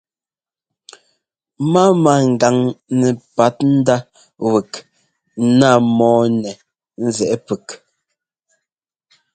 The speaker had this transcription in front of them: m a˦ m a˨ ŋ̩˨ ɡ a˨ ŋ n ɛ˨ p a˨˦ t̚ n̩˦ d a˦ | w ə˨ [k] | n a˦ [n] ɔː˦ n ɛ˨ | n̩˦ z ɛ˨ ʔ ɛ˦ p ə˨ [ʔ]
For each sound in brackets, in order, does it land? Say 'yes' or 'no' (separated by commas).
yes, no, no